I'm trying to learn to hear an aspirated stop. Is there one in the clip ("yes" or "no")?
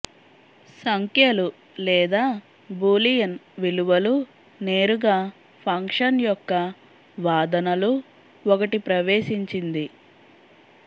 yes